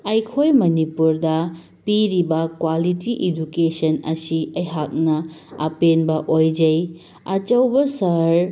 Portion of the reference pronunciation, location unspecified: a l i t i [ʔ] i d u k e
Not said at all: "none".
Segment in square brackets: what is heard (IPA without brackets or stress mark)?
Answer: ʔ